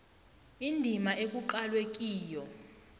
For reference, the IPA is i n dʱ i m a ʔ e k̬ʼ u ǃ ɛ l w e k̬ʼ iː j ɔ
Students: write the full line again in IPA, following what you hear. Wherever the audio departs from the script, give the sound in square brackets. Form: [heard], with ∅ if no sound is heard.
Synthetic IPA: i n dʱ i m a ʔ e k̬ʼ u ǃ [a] l w e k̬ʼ iː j ɔ

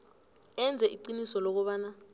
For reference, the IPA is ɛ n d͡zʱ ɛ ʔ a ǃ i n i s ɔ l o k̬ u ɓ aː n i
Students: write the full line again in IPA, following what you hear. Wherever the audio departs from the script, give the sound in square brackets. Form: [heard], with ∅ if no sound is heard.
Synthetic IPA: ɛ n d͡zʱ ɛ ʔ [i] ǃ i n i s ɔ l o k̬ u ɓ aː n [a]

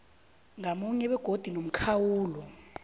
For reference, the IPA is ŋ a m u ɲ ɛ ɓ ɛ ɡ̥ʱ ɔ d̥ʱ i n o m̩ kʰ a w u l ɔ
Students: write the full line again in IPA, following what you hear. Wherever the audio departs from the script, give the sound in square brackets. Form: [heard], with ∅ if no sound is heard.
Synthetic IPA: ŋ a m u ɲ ɛ ɓ ɛ ɡ̥ʱ [o] d̥ʱ i n o m̩ kʰ a w [uː] l ɔ

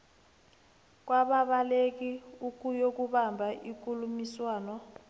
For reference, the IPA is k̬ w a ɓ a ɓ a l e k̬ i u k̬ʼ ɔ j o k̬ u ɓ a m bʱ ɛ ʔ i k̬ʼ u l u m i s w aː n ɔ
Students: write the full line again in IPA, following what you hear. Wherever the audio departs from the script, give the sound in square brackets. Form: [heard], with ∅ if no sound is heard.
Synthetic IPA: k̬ w a ɓ a ɓ a l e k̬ i u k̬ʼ [u] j o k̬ u ɓ a m bʱ [a] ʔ i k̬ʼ u l u m i s w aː n ɔ

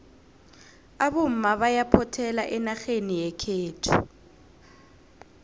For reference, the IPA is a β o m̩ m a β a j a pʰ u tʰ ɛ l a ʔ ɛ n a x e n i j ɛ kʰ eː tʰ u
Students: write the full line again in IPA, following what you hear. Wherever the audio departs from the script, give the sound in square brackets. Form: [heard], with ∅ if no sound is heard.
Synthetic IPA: a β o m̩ m a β a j a pʰ [ɔ] tʰ ɛ l a ʔ ɛ n a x e n i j ɛ kʰ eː tʰ u

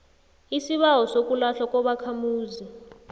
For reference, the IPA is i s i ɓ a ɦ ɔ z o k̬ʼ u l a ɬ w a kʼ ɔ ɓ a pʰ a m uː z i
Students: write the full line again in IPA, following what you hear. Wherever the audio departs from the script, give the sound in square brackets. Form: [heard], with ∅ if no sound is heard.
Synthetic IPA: i s i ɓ a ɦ ɔ [s] o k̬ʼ u l a ɬ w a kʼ ɔ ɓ a [kʰ] a m uː z i

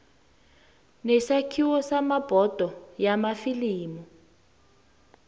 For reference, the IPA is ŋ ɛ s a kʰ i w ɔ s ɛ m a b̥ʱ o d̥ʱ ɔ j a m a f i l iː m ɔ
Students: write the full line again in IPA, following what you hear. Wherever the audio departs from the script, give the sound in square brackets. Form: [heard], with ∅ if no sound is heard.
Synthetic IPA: [n] ɛ s a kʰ i w ɔ s [a] m a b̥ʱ [ɔ] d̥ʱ ɔ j a m a f i l iː m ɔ

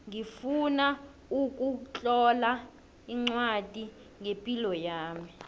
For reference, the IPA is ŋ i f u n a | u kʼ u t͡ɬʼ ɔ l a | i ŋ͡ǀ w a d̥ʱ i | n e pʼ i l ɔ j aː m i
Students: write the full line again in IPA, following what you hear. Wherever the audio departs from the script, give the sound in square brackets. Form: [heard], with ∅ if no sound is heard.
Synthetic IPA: ŋ i f u n a | u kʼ u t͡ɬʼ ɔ l a | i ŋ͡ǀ w a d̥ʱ i | [ŋ] e pʼ i l ɔ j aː m i

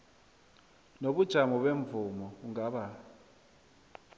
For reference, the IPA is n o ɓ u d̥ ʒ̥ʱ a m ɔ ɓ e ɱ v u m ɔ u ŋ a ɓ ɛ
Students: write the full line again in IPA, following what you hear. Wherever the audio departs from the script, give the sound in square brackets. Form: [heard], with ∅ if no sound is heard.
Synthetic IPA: n o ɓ u d̥ ʒ̥ʱ a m ɔ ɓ e ɱ v u m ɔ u ŋ a ɓ [a]

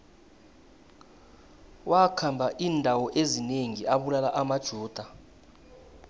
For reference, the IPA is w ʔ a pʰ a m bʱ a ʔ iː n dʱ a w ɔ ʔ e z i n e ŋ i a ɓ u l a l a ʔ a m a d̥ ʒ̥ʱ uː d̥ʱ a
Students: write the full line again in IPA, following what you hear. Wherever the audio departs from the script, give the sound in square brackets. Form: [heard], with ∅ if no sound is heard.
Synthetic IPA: w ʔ a [kʰ] a m bʱ a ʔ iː n dʱ a w ɔ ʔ e z i n e ŋ i a ɓ u l a l a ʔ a m a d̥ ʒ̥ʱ uː d̥ʱ a

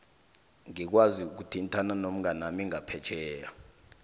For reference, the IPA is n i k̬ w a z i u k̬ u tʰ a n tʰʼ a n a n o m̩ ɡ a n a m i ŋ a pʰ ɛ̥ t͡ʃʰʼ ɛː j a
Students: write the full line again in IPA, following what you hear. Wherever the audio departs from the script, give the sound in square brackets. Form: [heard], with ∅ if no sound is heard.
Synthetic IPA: [ŋ] i k̬ w a z i u k̬ u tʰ [i] n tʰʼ a n a n o m̩ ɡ a n a m i ŋ a pʰ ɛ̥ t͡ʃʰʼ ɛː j a

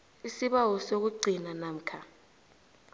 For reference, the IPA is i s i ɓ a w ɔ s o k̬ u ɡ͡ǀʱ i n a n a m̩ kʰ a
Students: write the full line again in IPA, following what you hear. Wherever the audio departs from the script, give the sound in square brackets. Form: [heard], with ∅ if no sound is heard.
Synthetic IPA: i s i ɓ a w ɔ s o k̬ u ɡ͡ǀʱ i n a n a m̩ kʰ a

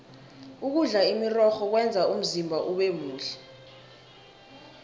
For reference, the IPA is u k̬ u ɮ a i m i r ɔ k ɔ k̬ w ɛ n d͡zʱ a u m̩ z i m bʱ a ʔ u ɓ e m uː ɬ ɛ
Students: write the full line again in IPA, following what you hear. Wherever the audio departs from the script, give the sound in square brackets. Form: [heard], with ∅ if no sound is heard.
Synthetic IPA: u k̬ u ɮ a i m i r ɔ [x] ɔ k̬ w ɛ n d͡zʱ a u m̩ z i m bʱ a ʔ u ɓ e m uː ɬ ɛ

